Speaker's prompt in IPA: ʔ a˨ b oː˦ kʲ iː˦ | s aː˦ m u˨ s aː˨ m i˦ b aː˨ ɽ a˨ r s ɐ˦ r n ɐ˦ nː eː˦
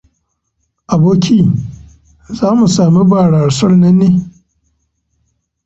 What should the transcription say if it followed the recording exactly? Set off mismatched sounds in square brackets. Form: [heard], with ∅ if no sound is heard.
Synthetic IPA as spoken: ʔ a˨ b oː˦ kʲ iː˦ | [z] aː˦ m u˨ s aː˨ m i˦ b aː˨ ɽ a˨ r s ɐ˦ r n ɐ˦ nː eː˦